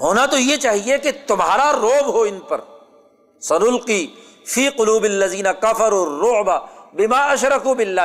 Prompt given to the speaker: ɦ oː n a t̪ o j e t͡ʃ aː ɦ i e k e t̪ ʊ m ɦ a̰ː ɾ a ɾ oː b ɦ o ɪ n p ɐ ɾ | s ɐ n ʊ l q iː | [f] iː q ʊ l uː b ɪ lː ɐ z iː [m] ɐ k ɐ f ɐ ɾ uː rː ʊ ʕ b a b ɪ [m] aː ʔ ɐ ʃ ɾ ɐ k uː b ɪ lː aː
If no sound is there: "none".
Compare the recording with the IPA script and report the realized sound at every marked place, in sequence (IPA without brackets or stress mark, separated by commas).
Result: f, n, m